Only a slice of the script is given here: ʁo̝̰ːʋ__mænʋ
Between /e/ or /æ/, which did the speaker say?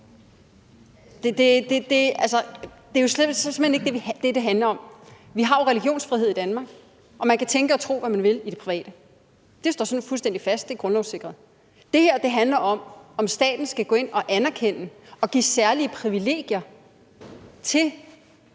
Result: æ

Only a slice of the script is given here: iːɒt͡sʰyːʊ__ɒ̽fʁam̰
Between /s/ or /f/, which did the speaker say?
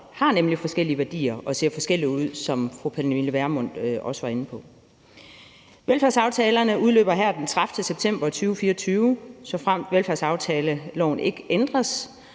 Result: s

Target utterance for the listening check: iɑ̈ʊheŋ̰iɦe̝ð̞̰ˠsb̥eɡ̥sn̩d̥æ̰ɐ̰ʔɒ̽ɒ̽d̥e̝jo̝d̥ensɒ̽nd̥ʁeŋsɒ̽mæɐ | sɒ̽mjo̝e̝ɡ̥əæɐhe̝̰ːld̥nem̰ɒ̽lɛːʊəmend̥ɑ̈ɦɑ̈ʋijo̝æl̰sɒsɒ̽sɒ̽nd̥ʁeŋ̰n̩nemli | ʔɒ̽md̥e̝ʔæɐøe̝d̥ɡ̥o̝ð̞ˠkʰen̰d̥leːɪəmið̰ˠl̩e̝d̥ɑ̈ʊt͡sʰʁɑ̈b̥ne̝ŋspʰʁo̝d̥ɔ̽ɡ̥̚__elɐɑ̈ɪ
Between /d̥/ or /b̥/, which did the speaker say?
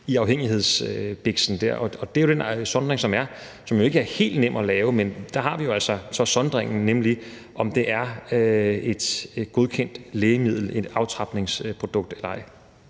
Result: d̥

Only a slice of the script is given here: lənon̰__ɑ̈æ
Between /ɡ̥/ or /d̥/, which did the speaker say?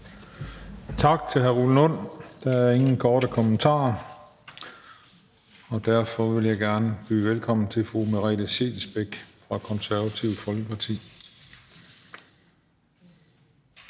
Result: d̥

